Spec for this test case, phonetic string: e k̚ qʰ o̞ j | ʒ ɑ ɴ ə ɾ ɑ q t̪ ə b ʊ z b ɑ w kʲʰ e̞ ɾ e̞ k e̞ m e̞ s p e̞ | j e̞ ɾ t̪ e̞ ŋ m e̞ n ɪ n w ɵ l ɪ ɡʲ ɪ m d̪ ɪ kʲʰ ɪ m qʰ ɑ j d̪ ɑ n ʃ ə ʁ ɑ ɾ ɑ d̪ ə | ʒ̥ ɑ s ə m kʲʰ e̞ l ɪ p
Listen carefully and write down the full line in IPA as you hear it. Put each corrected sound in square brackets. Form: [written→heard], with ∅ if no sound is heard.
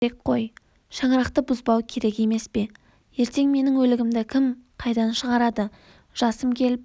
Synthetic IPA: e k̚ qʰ o̞ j | [ʒ→ʃ] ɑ ɴ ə ɾ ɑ q t̪ ə b ʊ z b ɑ w kʲʰ e̞ ɾ e̞ k e̞ m e̞ s p e̞ | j e̞ ɾ t̪ e̞ ŋ m e̞ n ɪ [n→ŋ] w ɵ l ɪ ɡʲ ɪ m d̪ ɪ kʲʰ ɪ m qʰ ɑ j d̪ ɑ n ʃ ə ʁ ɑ ɾ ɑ d̪ ə | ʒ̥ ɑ s ə m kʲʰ e̞ l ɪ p